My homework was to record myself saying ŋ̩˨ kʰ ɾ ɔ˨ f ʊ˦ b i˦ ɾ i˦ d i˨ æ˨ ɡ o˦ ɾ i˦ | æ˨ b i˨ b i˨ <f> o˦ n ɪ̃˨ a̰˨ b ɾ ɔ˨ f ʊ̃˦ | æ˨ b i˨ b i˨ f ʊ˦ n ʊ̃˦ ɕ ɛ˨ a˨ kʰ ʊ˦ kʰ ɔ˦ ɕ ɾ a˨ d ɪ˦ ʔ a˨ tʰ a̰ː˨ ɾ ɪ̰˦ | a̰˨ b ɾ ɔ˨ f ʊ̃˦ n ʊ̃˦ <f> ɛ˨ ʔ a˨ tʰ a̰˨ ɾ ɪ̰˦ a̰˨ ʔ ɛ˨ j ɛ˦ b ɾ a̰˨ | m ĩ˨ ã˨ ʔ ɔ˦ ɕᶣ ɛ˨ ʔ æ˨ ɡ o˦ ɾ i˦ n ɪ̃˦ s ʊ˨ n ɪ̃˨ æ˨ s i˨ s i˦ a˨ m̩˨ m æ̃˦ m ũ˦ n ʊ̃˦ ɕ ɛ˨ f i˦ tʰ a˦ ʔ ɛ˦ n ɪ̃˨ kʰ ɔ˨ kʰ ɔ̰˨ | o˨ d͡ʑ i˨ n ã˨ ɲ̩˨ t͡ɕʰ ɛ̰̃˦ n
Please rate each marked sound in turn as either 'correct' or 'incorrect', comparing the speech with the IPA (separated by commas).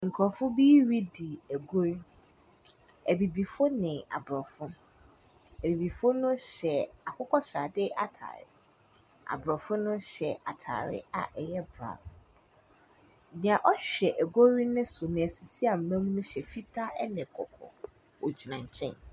correct, incorrect